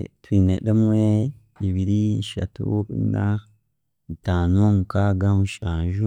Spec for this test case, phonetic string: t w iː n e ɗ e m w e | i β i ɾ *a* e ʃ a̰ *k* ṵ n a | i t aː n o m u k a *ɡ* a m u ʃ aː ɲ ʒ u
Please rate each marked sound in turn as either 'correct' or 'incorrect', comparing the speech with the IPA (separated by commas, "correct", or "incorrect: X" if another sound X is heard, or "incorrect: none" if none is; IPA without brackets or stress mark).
incorrect: i, incorrect: t, correct